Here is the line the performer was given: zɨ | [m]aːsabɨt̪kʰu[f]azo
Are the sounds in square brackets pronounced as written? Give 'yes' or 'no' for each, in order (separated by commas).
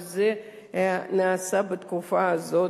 no, yes